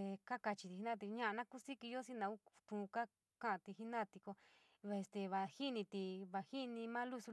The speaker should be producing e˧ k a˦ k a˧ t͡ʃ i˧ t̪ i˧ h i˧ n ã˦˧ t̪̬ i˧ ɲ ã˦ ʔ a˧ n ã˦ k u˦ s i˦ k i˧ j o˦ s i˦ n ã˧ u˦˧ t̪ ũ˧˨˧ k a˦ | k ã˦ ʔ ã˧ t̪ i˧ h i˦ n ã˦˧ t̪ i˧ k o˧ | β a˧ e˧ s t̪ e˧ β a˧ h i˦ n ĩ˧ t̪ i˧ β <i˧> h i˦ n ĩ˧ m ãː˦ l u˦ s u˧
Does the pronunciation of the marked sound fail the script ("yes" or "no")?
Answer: yes